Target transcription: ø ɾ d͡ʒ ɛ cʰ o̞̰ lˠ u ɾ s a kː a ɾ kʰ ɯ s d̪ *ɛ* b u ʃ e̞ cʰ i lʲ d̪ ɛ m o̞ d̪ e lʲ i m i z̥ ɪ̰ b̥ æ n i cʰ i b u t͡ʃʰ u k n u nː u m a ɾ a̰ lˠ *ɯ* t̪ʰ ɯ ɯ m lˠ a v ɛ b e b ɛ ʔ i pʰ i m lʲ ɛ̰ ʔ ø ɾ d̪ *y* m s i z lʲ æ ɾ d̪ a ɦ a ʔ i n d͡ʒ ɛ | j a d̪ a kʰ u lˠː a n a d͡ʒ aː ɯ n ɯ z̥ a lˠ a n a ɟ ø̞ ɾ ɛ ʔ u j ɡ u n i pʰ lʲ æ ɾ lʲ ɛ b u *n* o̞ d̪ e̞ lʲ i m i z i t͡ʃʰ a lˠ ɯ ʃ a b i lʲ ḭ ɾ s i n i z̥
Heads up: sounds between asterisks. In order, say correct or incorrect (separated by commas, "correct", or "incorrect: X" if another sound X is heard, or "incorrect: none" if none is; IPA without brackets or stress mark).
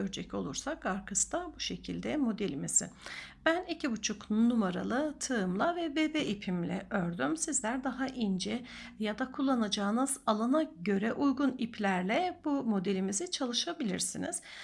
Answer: incorrect: a, correct, correct, incorrect: m